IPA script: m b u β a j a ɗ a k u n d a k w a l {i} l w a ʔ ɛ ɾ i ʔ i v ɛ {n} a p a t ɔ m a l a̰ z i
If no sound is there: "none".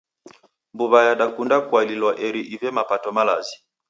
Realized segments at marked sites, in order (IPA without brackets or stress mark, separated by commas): i, m